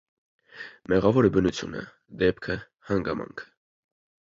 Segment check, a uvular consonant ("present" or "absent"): present